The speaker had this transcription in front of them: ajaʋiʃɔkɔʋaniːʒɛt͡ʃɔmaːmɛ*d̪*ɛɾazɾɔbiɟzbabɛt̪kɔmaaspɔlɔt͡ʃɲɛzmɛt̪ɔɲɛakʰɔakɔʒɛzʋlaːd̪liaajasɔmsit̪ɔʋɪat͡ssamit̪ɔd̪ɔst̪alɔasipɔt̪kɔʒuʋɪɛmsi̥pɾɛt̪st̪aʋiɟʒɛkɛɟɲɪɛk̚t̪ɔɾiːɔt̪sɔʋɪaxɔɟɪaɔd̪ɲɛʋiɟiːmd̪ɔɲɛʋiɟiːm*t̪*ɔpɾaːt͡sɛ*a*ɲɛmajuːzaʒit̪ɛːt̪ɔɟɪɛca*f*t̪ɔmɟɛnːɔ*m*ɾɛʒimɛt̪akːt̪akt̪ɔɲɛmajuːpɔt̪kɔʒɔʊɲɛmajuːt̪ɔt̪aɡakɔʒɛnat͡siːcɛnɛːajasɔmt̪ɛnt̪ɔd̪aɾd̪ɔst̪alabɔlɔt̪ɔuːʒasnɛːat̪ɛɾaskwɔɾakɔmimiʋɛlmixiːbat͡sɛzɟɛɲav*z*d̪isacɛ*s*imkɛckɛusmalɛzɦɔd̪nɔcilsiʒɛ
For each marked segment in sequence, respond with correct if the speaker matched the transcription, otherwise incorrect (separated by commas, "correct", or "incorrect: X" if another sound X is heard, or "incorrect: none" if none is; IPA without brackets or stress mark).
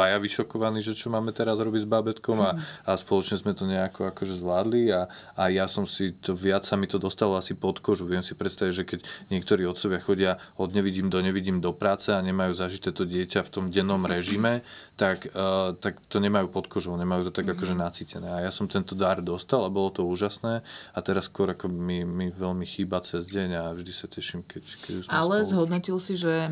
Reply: incorrect: t̪, incorrect: d̪, correct, correct, correct, incorrect: ʒ, incorrect: ʃ